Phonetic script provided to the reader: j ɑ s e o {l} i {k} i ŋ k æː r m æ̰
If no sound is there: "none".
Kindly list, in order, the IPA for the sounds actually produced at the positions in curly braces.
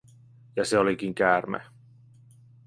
l, k

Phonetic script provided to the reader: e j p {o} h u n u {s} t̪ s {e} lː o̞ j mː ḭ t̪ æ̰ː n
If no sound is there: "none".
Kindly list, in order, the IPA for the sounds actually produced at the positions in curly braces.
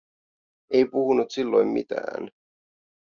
u, none, i

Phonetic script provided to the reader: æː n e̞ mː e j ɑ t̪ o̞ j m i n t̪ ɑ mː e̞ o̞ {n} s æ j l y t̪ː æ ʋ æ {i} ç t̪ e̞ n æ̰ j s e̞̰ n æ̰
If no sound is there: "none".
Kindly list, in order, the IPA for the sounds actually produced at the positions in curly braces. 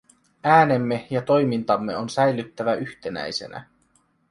n, y

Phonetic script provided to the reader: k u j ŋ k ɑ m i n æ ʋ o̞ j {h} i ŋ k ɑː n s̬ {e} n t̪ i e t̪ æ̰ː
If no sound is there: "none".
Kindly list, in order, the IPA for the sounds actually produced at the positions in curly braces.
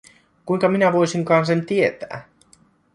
s, e

